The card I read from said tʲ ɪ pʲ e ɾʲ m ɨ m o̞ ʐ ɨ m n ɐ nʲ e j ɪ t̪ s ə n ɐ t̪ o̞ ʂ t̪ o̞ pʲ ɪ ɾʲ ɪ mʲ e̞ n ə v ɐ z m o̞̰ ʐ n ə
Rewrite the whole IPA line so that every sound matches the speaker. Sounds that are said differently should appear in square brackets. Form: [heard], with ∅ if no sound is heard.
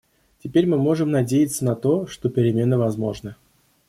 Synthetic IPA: tʲ ɪ pʲ e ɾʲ m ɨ m o̞ ʐ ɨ m n ɐ [dʲ] e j ɪ t̪ s ə n ɐ t̪ o̞ ʂ t̪ o̞ pʲ ɪ ɾʲ ɪ mʲ e̞ n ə v ɐ z m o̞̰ ʐ n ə